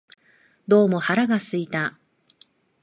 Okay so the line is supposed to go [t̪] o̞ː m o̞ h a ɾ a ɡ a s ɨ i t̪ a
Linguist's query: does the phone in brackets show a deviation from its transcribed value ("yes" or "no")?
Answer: yes